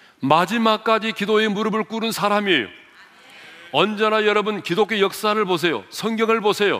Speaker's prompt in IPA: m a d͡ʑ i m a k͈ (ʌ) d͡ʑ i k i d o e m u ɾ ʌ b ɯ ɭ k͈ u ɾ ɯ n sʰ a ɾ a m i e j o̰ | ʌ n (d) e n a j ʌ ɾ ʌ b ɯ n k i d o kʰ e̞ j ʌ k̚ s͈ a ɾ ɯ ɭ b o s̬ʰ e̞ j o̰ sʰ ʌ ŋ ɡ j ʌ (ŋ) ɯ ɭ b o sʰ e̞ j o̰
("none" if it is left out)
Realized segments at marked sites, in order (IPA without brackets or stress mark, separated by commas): a, d͡ʑ, ŋ